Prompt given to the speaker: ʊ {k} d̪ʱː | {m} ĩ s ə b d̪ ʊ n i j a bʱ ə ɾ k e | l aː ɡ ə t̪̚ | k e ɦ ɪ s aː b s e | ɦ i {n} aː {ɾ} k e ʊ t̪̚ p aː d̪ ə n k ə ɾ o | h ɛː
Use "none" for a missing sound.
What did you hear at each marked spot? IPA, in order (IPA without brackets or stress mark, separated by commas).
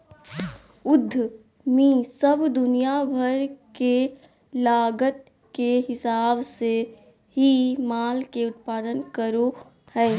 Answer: none, m, m, l